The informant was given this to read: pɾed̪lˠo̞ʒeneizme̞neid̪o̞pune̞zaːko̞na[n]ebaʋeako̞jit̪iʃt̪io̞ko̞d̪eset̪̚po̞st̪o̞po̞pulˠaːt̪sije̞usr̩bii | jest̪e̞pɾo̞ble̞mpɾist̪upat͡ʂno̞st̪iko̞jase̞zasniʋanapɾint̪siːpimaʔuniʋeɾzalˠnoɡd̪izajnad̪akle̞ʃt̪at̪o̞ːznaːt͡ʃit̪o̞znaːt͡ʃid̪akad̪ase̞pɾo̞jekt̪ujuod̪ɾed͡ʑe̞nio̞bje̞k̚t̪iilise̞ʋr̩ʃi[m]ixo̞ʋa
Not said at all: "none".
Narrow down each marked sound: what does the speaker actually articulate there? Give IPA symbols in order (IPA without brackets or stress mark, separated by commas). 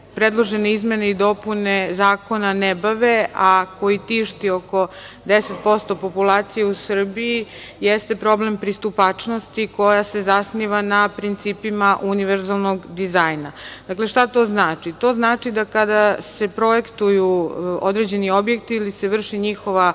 n, ɲ